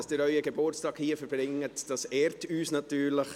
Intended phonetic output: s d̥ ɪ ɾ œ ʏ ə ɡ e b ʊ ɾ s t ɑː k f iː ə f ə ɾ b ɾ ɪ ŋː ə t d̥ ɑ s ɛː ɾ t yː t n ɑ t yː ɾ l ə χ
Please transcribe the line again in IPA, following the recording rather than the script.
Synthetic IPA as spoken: s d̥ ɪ ɾ œ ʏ ə ɡ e b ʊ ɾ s t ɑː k h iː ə f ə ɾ b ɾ ɪ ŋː ə t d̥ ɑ s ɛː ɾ t yː s n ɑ t yː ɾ l ə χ